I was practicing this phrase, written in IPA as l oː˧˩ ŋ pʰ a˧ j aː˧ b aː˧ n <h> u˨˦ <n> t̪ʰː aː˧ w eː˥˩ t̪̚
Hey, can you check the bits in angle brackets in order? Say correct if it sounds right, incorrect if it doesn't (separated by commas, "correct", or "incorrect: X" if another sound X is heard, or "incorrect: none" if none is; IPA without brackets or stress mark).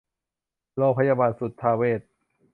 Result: incorrect: s, incorrect: none